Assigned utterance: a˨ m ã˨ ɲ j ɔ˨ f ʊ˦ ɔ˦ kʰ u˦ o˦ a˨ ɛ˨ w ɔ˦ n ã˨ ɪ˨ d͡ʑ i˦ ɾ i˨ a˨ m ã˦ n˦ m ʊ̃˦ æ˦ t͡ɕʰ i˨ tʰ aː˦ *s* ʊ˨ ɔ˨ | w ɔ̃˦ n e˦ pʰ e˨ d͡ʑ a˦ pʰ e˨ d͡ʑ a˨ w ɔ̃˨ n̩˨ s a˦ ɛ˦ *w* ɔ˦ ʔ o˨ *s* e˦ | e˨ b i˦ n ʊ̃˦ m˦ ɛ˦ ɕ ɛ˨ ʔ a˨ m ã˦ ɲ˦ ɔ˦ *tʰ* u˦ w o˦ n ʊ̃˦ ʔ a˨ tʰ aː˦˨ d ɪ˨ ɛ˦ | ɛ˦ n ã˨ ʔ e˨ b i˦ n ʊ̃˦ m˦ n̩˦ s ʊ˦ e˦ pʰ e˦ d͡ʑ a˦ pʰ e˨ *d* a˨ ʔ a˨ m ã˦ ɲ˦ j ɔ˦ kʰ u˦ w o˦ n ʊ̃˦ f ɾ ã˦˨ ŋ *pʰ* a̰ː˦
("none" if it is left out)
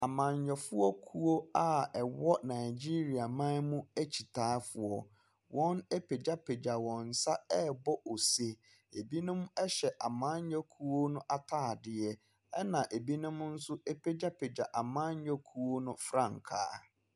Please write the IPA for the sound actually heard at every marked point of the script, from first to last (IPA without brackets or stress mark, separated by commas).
f, b, s, kʰ, d͡ʑ, kʰ